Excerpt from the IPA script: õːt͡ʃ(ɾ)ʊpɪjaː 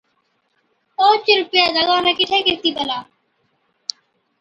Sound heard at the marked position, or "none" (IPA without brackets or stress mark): ɾ